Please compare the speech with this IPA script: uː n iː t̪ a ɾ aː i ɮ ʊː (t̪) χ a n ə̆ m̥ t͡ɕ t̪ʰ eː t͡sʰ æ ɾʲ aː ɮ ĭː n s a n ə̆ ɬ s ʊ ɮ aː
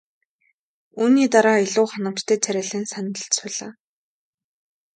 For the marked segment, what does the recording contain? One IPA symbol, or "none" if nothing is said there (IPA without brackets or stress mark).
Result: none